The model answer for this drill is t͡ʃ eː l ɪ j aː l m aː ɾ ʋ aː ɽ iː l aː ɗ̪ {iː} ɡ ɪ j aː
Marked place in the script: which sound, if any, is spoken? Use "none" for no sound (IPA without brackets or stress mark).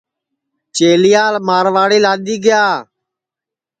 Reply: iː